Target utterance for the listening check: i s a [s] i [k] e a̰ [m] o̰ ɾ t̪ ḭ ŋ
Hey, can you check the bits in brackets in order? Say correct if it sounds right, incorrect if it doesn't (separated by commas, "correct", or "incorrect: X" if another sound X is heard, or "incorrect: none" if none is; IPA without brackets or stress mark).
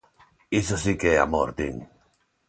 correct, correct, correct